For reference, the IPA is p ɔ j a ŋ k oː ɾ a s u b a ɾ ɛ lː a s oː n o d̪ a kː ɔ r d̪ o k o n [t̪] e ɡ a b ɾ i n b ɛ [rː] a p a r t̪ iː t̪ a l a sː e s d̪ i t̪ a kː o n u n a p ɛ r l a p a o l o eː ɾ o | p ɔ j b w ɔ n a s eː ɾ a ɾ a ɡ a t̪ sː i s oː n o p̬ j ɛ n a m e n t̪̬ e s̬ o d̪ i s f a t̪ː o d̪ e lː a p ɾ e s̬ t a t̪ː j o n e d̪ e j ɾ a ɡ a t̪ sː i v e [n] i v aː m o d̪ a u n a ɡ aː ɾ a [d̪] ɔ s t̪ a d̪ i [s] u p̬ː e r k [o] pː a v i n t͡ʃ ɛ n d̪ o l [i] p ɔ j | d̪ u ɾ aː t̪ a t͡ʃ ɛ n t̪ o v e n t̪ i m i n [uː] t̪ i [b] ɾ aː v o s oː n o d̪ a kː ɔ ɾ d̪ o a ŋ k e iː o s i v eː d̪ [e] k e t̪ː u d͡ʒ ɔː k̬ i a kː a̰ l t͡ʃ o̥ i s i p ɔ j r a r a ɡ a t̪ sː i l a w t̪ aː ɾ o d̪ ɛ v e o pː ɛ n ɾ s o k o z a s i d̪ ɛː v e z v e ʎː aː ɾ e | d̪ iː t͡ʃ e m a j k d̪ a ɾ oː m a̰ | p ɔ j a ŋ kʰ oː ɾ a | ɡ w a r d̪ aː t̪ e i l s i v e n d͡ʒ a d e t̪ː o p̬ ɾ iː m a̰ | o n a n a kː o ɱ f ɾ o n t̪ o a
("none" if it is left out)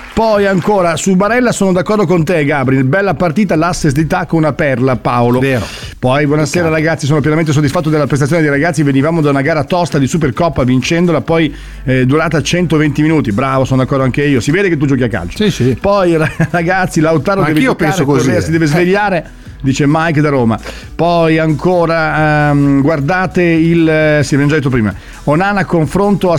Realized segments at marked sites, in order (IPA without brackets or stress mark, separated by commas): t̪, lː, n, t̪, s, ɔ, a, uː, b, e